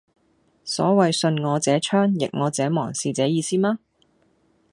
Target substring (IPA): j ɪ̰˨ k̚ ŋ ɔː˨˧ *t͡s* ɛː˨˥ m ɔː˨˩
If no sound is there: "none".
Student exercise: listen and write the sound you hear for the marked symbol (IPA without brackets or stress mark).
t͡s